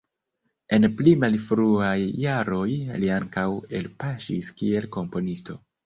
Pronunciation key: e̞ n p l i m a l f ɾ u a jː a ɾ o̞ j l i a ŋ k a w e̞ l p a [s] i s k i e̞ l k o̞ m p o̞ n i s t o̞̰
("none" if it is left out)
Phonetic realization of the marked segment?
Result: ʃ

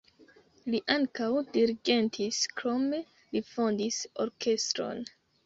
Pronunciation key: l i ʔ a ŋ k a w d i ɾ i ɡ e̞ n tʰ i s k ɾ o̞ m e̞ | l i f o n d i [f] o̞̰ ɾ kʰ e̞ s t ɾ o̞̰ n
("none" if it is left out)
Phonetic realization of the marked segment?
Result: s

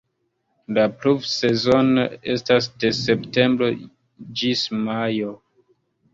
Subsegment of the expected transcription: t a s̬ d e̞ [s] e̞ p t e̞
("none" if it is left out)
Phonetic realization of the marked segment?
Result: s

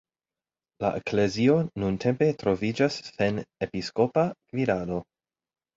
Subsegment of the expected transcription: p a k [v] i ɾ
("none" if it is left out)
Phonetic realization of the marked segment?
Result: v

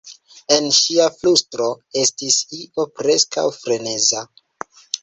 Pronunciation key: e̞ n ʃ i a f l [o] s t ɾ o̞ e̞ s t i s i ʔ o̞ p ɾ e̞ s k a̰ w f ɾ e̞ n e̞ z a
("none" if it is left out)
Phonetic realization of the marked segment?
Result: u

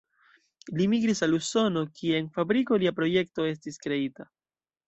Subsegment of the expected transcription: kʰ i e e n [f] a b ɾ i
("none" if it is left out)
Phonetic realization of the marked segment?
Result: f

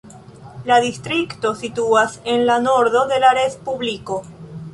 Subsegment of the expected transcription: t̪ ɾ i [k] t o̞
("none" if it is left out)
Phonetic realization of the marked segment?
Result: k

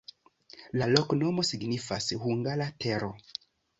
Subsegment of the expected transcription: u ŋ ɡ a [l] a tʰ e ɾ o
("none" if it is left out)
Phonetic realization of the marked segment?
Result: l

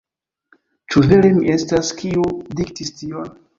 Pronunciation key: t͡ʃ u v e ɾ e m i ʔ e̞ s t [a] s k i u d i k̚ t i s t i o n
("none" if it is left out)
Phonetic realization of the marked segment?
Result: a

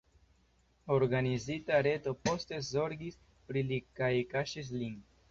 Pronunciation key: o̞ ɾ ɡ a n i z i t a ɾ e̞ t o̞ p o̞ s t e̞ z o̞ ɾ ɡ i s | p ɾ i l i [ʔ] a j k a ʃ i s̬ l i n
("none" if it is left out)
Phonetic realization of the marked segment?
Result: k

